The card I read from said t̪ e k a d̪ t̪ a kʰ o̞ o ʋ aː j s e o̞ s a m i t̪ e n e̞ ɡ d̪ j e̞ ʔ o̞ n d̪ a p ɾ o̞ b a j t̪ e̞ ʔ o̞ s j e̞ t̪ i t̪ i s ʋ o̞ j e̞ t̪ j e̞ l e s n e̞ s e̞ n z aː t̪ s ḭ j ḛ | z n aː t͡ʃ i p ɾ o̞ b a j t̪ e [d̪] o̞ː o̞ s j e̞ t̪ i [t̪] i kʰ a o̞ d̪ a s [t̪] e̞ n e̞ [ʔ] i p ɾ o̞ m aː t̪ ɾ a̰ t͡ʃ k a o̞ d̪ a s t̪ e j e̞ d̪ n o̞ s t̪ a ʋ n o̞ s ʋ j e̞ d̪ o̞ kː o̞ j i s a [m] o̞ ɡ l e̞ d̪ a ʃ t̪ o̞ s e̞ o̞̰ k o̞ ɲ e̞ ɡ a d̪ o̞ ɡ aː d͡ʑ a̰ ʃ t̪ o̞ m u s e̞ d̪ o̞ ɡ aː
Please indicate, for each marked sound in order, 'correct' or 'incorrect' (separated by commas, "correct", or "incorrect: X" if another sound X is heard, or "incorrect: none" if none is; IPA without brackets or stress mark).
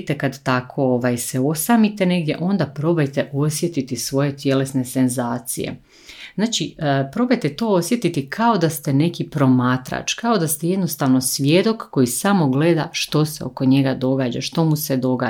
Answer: incorrect: t̪, correct, correct, incorrect: k, correct